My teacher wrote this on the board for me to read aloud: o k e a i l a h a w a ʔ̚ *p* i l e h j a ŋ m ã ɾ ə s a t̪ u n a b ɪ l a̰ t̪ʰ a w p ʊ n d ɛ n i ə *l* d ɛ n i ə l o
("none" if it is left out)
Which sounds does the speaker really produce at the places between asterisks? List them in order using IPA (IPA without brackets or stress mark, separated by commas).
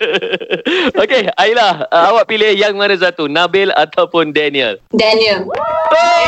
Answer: p, l